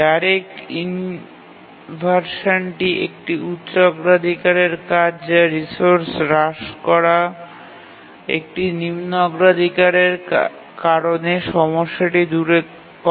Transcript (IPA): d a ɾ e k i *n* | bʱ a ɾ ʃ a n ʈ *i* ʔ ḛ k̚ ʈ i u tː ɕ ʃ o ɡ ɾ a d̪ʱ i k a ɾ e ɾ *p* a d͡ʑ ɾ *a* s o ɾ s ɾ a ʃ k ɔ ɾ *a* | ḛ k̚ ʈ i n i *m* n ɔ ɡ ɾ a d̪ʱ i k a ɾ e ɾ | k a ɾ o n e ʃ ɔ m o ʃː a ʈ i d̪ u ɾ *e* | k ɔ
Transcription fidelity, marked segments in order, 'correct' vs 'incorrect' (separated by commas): correct, correct, incorrect, incorrect, correct, correct, correct